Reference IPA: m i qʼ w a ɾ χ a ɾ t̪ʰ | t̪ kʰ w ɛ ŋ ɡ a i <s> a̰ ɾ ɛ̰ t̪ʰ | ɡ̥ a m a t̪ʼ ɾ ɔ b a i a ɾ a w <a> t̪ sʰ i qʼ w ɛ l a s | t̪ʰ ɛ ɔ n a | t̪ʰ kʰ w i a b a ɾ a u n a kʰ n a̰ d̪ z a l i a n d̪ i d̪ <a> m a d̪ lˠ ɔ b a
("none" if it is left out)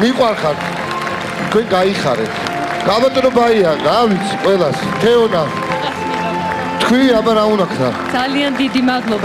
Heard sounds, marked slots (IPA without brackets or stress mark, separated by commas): χ, i, i